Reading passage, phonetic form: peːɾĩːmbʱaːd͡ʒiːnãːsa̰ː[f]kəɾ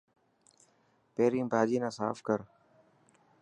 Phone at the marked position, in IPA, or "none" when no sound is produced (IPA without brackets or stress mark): f